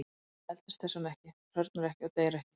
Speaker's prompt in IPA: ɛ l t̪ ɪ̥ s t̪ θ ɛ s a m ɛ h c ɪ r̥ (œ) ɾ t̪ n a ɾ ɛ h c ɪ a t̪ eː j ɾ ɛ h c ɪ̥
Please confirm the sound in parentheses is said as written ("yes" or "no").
yes